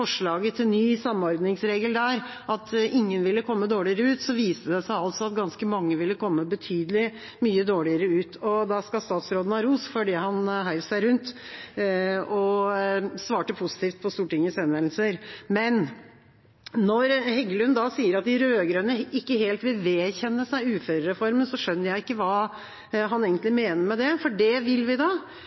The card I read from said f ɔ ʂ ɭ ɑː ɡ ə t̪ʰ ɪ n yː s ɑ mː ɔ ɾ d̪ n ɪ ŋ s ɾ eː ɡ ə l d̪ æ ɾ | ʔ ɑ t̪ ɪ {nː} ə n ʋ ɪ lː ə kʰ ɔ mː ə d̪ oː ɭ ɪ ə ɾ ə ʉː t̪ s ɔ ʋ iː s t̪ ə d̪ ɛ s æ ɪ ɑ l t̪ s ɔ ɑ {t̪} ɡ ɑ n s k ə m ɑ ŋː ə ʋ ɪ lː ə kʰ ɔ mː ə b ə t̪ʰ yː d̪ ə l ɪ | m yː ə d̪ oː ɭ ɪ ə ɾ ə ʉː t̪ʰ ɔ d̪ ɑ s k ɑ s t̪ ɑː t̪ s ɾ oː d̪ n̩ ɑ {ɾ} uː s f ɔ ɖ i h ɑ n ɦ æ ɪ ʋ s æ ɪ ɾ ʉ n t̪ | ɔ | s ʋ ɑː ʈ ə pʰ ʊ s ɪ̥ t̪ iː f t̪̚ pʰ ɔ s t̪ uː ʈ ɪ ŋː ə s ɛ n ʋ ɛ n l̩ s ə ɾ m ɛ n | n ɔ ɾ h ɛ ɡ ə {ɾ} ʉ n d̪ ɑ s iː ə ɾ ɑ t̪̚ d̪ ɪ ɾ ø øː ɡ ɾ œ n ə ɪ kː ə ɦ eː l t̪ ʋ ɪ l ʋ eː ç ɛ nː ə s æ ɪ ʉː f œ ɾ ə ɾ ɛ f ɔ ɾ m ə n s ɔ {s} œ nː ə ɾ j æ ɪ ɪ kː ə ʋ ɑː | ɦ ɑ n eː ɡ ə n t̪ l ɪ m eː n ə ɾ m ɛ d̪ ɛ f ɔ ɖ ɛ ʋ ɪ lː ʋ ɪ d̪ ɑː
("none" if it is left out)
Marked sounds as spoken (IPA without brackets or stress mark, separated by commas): ŋː, t̪, ɾ, l, ʂ